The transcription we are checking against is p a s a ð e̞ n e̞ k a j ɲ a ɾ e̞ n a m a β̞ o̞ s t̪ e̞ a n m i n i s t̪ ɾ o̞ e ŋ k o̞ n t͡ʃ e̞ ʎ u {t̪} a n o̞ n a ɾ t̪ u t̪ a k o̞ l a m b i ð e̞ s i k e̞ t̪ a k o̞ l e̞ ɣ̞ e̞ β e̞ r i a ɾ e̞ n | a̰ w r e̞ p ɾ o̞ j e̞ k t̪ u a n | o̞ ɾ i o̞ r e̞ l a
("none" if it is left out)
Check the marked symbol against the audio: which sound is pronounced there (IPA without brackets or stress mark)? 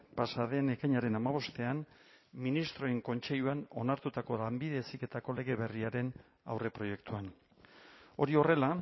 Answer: none